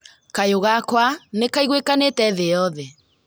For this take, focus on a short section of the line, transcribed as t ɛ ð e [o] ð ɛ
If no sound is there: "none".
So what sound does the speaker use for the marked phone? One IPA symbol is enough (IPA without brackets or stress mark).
ɔ